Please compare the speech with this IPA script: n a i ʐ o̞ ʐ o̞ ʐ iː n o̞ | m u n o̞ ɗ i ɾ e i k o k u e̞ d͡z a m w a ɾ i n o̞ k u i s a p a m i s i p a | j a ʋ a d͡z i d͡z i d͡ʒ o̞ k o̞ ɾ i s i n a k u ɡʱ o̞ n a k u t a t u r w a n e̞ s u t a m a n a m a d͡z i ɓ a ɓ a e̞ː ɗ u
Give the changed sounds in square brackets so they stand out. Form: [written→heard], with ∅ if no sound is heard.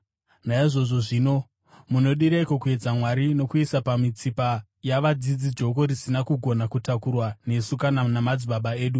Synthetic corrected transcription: n a i ʐ o̞ ʐ o̞ ʐ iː n o̞ | m u n o̞ ɗ i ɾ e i k o k u e̞ d͡z a m w a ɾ i n o̞ k u i s a p a m i [s→t͡s] i p a | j a ʋ a d͡z i d͡z i d͡ʒ o̞ k o̞ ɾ i s i n a k u ɡʱ o̞ n a k u t a [t→k] u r w a n e̞ s u [t→k] a [m→n] a n a m a d͡z i ɓ a ɓ a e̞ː ɗ u